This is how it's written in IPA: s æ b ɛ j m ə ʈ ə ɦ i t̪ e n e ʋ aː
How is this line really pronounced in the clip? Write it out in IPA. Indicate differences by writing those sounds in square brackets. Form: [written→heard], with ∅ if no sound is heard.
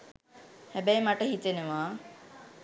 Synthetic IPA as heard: [s→h] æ b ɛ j m [ə→a] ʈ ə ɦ i t̪ e n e ʋ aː